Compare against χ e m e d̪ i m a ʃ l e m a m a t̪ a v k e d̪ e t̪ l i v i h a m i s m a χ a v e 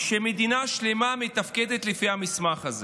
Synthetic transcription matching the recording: ʃ e m e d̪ i n a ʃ l e m a m e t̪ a f k e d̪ e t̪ l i f i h a m i s m a χ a z e